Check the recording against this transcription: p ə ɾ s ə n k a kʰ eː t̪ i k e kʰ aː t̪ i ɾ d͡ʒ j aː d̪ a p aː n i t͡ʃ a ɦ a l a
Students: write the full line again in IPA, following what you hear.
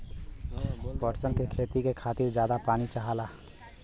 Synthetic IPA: p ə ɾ s ə n k e kʰ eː t̪ i k e kʰ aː t̪ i ɾ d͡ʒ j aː d̪ a p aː n i t͡ʃ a ɦ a l a

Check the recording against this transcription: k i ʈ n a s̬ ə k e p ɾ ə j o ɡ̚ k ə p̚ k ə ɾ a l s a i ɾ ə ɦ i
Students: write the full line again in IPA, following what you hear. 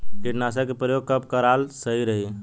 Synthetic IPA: k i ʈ n a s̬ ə k e p ɾ ə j o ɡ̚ k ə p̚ k ə ɾ a l s ə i ɾ ə ɦ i

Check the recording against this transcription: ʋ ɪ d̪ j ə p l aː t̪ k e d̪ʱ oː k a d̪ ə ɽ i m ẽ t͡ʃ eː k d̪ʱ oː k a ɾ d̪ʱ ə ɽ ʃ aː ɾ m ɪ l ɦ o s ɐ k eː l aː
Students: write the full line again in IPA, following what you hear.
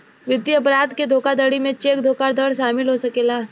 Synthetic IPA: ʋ ɪ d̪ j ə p ɾ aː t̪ k e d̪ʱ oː k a d̪ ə ɽ i m ẽ t͡ʃ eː k d̪ʱ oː k a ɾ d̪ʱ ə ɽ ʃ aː m ɪ l ɦ o s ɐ k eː l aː

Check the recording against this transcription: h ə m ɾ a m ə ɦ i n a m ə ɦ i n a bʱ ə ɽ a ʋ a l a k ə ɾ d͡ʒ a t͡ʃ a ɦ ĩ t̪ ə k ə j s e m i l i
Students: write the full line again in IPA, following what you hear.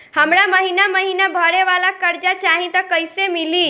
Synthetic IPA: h ə m ɾ a m ə ɦ i n a m ə ɦ i n a bʱ ə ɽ e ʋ a l a k ə ɾ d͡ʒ a t͡ʃ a ɦ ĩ t̪ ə k ə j s e m i l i

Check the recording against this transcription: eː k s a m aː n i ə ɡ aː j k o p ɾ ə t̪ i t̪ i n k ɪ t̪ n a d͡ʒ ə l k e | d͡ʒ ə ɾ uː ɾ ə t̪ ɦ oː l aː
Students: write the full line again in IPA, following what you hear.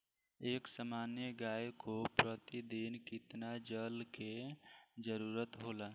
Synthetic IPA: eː k s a m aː n j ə ɡ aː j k o p ɾ ə t̪ i d̪ i n k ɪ t̪ n a d͡ʒ ə l k e | d͡ʒ ə ɾ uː ɾ ə t̪ ɦ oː l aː

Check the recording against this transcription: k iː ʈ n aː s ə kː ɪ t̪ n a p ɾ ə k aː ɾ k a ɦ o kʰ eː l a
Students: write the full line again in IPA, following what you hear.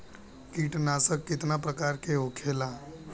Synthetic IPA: k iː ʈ n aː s ə kː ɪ t̪ n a p ɾ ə k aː ɾ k e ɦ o kʰ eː l a

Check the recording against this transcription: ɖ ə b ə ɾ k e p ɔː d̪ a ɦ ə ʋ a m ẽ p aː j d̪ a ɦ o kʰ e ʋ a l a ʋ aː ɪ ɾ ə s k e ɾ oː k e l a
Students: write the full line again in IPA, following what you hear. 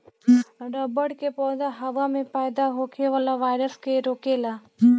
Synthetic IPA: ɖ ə b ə ɽ k e p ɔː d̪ a ɦ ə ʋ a m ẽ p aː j d̪ a ɦ o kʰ e ʋ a l a ʋ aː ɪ ɾ ə s k e ɾ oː k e l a

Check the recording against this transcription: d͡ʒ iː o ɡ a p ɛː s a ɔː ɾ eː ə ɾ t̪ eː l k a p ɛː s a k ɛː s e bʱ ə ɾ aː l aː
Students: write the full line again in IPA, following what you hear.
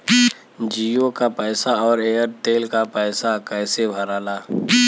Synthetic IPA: d͡ʒ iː o k a p ɛː s a ɔː ɾ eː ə ɾ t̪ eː l k a p ɛː s a k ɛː s e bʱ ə ɾ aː l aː

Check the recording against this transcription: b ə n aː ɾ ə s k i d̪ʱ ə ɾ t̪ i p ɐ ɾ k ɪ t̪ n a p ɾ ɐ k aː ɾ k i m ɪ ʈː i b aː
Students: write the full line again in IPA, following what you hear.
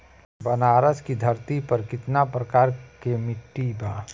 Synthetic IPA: b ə n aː ɾ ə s k i d̪ʱ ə ɾ t̪ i p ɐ ɾ k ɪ t̪ n a p ɾ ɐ k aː ɾ k e m ɪ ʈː i b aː

